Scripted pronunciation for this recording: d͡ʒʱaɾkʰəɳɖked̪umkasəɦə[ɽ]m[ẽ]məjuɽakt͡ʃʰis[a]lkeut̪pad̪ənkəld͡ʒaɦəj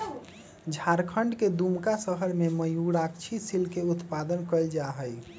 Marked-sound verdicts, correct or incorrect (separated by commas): incorrect, incorrect, incorrect